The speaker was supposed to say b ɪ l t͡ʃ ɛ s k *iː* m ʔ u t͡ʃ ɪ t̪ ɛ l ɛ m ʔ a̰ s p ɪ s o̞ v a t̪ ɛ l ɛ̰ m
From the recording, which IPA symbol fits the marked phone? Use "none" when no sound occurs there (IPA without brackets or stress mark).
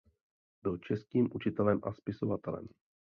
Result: iː